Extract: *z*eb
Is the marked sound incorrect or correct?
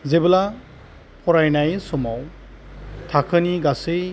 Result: correct